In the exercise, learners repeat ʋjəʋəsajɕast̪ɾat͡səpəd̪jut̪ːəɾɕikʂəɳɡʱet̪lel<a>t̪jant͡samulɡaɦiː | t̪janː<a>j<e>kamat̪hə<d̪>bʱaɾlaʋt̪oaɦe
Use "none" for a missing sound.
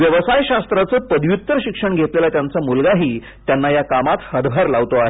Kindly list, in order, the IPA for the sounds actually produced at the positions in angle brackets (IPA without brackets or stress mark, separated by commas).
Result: a, a, a, d̪